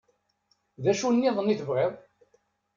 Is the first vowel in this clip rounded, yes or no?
no